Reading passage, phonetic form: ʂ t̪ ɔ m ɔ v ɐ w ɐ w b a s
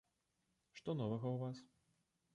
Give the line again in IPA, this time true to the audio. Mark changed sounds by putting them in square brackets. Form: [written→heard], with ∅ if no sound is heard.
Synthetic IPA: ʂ t̪ ɔ [m→n] ɔ v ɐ [w→ɣ] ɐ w [b→v] a s